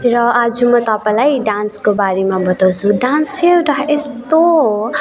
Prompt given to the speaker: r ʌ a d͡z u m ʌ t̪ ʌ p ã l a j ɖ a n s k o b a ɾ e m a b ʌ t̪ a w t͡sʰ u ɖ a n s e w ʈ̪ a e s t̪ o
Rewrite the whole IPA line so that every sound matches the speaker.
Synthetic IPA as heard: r ʌ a d͡z u m ʌ t̪ ʌ p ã l a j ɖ a n s k o b a ɾ e m a b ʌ t̪ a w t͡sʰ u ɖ a n s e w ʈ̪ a e s t̪ o